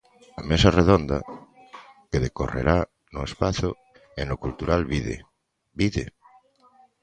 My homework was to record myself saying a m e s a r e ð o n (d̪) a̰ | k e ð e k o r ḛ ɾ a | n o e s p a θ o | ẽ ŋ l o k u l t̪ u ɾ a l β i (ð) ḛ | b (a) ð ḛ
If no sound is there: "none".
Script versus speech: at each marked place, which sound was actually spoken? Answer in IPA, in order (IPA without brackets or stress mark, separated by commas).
d̪, ð, i